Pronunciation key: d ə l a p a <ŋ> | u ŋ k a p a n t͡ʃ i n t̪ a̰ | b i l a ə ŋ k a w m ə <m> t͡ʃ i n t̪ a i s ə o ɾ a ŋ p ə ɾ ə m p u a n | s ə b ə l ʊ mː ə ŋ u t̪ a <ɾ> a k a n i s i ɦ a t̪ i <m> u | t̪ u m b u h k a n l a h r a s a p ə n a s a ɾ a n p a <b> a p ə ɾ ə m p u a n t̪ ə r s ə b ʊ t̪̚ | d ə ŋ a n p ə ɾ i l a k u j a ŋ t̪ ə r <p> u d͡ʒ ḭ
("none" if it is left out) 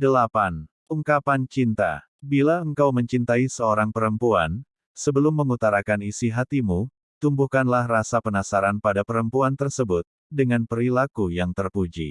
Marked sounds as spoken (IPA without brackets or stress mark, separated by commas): n, ɲ, ɾ, m, d, p